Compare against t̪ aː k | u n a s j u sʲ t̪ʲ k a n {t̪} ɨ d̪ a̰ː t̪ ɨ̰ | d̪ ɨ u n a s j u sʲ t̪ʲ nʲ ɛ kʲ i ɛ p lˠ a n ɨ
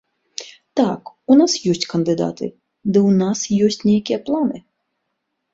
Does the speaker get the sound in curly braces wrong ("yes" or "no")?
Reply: yes